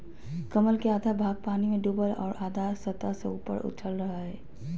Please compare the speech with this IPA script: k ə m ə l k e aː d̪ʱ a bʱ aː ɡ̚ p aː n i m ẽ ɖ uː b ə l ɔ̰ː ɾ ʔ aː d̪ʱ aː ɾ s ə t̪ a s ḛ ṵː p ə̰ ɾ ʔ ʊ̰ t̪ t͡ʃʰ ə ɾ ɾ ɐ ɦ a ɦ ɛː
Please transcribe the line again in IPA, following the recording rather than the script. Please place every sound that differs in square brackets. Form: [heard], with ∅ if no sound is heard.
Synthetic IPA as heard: k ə m ə l k e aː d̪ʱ a bʱ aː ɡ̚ p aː n i m ẽ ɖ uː b ə l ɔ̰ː ɾ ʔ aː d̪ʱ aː ɾ s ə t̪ a s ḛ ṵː p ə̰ ɾ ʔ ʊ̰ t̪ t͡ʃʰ ə [l] ɾ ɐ ɦ a ɦ ɛː